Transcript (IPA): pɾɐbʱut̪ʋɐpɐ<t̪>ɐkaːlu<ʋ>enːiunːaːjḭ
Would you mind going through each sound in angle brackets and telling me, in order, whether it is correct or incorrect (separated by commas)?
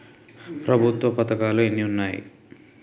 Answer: correct, incorrect